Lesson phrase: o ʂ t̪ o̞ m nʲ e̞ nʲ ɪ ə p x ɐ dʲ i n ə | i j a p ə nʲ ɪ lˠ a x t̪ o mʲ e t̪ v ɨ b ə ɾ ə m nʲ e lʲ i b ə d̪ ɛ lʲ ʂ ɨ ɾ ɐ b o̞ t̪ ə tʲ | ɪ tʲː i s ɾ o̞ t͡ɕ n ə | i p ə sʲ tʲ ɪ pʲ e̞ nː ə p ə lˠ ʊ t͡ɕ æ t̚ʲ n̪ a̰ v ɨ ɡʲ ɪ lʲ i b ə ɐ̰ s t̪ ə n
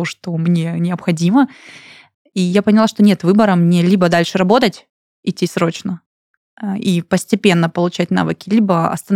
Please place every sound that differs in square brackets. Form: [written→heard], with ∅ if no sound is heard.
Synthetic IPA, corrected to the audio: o ʂ t̪ o̞ m nʲ e̞ nʲ ɪ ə p x ɐ dʲ i [n→m] ə | i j a p ə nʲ ɪ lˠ a [x→ʂ] t̪ o [mʲ→nʲ] e t̪ v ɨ b ə ɾ ə m nʲ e lʲ i b ə d̪ [ɛ→a] lʲ ʂ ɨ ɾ ɐ b o̞ t̪ ə tʲ | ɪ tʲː i s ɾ o̞ t͡ɕ n ə | i p ə sʲ tʲ ɪ pʲ e̞ nː ə p ə lˠ ʊ t͡ɕ æ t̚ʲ n̪ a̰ v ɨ [ɡʲ→kʲ] ɪ lʲ i b ə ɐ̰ s t̪ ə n